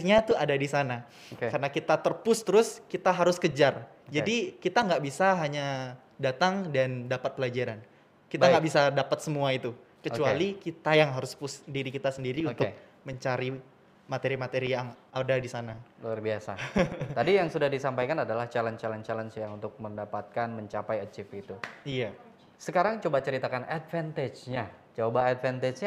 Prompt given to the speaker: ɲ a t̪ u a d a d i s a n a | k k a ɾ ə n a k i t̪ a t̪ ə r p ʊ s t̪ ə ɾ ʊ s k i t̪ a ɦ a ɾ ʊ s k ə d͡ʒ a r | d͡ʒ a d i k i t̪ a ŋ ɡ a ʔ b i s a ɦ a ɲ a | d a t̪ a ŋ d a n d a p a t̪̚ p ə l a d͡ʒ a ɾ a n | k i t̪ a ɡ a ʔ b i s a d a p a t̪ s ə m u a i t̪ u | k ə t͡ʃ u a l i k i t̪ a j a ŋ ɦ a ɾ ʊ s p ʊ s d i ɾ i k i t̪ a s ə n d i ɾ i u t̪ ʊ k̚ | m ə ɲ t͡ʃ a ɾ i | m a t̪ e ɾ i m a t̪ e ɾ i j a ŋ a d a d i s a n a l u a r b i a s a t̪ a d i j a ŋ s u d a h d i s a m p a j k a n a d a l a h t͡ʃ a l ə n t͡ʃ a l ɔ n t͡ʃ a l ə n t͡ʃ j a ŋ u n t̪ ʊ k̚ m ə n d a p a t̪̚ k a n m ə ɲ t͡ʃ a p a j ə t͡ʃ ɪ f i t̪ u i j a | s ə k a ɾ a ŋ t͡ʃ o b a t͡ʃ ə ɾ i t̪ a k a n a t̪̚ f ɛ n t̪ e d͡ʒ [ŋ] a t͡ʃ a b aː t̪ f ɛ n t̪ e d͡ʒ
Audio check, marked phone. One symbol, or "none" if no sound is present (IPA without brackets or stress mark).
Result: ɲ